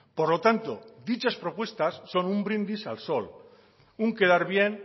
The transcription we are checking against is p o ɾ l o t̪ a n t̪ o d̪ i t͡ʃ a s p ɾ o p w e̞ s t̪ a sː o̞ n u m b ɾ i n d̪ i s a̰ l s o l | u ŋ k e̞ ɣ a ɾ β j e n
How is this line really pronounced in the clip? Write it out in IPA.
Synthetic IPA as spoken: p o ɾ l o t̪ a n t̪ o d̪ i t͡ʃ a s p ɾ o p w e̞ s t̪ a sː o̞ n u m b ɾ i n d̪ i s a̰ l s o l | u ŋ k e̞ ð a ɾ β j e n